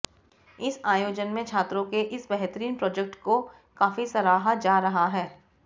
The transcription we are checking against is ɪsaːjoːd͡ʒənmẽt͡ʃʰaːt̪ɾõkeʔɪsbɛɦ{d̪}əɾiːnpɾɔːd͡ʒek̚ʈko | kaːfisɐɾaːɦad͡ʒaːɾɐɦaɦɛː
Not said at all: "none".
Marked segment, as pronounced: t̪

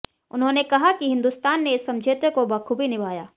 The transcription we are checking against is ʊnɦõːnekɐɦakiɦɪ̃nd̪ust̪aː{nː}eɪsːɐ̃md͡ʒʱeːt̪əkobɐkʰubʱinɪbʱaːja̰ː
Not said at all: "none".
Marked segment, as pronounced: nː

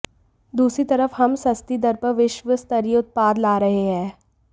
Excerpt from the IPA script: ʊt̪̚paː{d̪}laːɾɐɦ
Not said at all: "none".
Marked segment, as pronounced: d̪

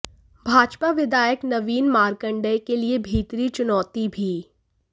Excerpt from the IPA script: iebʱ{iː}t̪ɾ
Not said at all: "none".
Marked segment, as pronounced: iː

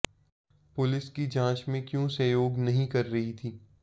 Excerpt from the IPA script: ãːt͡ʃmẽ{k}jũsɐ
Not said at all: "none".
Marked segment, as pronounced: k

